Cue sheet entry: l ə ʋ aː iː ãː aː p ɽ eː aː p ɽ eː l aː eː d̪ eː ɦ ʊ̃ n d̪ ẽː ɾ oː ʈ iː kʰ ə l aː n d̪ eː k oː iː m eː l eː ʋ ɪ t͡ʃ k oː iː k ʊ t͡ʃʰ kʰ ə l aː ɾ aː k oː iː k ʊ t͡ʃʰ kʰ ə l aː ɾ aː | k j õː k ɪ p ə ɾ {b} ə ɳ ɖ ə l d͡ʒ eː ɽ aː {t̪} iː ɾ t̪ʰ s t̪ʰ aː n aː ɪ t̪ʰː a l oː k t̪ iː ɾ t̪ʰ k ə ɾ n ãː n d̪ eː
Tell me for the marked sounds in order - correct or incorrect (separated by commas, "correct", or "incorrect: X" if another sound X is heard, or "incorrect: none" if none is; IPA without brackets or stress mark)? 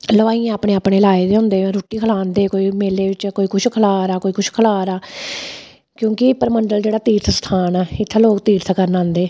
incorrect: m, correct